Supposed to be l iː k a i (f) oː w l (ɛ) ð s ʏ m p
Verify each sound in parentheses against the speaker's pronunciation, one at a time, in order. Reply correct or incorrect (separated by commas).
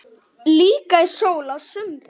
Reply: incorrect, incorrect